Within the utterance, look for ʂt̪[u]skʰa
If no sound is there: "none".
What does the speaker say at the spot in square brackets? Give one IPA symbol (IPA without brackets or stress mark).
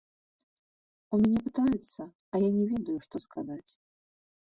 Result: ɔ